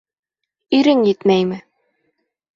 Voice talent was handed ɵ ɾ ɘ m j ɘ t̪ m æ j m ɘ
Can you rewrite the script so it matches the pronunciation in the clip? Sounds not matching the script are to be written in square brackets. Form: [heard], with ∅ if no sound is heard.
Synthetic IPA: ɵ ɾ ɘ [ŋ] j ɘ t̪ m æ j m ɘ